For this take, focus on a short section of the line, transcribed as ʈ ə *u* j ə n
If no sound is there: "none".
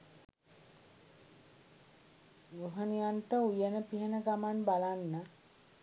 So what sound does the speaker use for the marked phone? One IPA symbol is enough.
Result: u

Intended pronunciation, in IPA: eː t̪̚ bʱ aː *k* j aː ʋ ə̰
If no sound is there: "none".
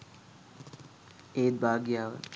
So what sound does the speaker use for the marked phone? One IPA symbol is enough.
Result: ɡ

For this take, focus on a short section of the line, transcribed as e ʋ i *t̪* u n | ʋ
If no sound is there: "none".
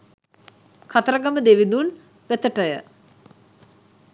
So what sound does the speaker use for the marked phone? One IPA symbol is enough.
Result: d̪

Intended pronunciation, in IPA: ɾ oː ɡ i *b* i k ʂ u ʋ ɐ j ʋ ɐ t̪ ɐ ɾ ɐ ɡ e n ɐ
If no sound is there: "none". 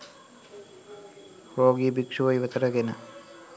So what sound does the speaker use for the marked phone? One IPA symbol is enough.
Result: b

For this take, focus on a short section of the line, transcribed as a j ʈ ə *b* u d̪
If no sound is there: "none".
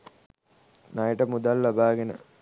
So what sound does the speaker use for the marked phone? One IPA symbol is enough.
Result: m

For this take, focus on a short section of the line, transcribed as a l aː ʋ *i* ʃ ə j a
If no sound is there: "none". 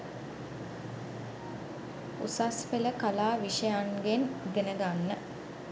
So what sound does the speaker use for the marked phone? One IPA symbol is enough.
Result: i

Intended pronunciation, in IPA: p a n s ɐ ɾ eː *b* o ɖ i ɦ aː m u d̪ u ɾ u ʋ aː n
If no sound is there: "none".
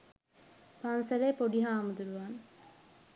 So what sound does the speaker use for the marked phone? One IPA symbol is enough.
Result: p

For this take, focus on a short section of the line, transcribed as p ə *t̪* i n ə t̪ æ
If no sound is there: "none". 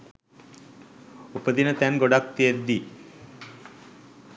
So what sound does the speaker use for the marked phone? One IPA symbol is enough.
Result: d̪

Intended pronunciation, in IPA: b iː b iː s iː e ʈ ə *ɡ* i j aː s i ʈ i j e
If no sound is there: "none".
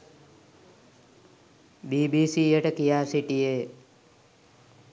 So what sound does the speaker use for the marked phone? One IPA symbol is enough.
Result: k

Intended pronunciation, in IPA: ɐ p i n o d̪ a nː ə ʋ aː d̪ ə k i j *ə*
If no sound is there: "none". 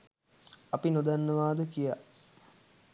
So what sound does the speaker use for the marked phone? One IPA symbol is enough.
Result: a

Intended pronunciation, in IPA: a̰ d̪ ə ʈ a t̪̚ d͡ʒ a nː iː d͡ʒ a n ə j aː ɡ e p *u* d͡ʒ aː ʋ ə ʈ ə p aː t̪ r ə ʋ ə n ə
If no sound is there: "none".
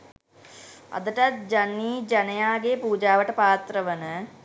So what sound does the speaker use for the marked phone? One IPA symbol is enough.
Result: uː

